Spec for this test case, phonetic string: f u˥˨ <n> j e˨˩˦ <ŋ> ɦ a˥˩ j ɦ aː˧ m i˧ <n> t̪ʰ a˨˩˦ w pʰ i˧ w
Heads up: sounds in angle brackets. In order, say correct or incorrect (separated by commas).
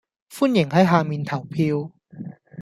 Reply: correct, correct, correct